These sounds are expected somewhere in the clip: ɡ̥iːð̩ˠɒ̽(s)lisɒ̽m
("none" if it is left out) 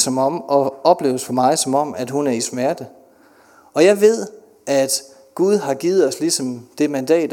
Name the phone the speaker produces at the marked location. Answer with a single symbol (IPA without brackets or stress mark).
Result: s